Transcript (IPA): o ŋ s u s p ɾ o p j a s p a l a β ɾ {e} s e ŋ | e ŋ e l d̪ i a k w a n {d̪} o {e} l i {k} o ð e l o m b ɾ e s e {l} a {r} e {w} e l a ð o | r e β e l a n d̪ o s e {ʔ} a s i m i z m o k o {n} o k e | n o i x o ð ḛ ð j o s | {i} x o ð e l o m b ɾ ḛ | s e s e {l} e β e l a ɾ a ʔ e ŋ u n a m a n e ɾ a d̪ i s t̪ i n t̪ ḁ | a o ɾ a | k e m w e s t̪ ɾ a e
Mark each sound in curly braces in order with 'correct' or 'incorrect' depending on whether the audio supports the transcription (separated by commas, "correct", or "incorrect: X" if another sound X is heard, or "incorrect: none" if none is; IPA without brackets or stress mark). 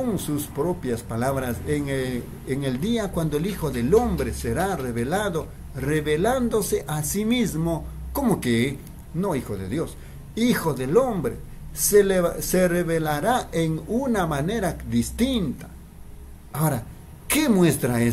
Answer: incorrect: a, correct, correct, incorrect: x, incorrect: ɾ, correct, incorrect: β, correct, incorrect: m, correct, incorrect: r